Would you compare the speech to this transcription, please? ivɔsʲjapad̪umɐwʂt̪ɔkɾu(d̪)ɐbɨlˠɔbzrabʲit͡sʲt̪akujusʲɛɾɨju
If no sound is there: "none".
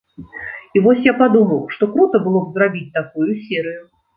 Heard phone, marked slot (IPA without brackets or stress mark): t̪